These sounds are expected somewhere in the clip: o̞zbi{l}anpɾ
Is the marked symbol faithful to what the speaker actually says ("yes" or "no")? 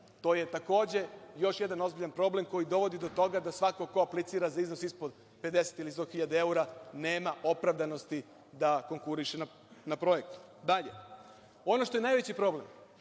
no